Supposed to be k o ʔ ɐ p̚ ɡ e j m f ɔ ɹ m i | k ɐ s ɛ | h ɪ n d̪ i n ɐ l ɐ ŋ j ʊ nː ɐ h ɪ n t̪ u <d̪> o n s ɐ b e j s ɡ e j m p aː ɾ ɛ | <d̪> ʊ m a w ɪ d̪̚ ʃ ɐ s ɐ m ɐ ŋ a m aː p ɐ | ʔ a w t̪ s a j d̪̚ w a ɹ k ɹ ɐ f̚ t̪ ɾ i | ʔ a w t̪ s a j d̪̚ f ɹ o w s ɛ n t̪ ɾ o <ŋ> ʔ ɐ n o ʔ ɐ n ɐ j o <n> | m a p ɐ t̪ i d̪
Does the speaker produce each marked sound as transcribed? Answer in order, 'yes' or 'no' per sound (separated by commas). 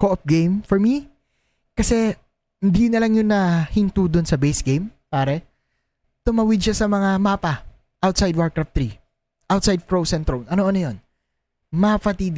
yes, no, no, yes